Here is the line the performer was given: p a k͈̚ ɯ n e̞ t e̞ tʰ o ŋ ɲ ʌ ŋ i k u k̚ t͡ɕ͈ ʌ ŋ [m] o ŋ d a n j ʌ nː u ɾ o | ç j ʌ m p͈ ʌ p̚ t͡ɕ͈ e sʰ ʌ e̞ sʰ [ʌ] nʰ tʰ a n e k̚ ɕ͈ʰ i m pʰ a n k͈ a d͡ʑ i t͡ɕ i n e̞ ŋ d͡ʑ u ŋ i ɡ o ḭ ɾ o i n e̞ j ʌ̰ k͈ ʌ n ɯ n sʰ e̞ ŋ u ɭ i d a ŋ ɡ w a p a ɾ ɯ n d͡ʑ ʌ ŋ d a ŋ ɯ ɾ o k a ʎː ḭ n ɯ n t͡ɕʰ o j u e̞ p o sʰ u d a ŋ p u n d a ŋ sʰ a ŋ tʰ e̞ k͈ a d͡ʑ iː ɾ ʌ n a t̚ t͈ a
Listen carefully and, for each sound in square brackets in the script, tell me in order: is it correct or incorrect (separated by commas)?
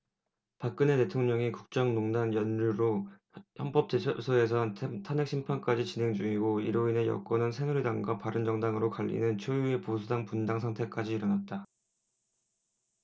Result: incorrect, correct